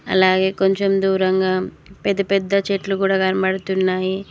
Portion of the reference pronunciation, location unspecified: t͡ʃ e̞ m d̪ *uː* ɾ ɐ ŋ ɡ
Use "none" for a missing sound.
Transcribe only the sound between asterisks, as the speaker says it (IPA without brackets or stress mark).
uː